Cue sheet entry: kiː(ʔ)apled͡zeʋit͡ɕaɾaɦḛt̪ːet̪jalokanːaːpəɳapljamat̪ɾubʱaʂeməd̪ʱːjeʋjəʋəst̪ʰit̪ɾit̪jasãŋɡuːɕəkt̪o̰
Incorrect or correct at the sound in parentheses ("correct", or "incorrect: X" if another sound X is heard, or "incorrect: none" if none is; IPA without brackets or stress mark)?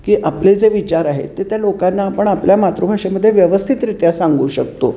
correct